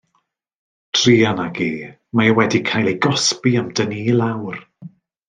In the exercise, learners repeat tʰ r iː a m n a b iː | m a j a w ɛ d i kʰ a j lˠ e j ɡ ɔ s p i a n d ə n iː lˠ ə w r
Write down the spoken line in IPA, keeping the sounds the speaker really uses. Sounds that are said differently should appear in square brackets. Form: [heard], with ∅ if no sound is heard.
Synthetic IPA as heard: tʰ r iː a [∅] n a [ɡ] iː | m a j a w ɛ d i kʰ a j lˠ e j ɡ ɔ s p i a [m] d ə n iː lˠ [a] w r